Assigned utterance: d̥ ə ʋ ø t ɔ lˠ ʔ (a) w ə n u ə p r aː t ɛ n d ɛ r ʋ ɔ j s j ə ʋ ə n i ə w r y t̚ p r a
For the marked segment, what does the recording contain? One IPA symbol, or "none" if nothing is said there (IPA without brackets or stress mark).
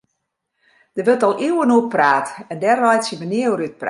i